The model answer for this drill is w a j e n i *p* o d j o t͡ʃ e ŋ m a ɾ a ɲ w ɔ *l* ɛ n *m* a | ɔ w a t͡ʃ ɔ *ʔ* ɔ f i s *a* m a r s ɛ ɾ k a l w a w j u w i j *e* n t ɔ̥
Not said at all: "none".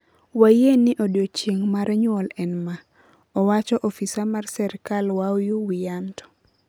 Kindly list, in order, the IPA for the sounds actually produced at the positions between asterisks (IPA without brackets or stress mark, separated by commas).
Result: ʔ, l, m, ʔ, a, a